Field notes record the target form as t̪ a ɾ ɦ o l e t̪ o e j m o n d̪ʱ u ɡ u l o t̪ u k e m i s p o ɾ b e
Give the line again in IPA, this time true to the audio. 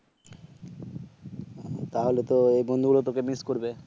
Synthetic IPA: t̪ a ɦ o l e t̪ o e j b o n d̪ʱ u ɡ u l o t̪ o k e m i s k o ɾ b e